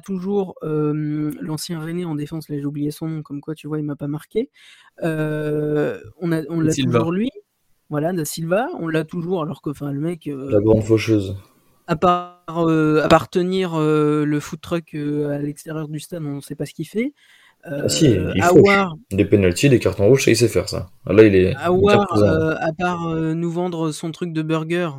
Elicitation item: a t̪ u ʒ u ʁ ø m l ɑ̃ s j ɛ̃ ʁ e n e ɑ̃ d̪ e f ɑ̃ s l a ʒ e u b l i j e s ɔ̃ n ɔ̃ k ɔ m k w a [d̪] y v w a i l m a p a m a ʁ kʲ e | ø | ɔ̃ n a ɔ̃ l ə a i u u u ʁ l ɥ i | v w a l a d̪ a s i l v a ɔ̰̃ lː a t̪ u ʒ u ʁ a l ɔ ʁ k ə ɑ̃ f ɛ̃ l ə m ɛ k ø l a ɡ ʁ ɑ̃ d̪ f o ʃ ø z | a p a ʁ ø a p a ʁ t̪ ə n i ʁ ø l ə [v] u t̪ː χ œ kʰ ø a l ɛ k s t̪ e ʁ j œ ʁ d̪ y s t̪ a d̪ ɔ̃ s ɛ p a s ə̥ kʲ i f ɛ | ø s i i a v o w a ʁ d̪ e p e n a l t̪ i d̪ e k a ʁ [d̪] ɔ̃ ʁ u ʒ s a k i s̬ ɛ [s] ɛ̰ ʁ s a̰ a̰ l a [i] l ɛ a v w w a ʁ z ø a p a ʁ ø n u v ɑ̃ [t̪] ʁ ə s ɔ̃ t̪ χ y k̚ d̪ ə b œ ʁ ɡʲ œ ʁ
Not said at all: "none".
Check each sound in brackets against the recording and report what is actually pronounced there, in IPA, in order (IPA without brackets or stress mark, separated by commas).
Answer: t̪, f, t̪, f, i, d̪